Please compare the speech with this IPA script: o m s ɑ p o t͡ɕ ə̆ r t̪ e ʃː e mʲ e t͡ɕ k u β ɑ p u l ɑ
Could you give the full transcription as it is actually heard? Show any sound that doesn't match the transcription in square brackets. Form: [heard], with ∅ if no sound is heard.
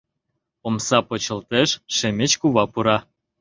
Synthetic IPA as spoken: o m s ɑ p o t͡ɕ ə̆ [l] t̪ e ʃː e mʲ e t͡ɕ k u β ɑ p u [ɾ] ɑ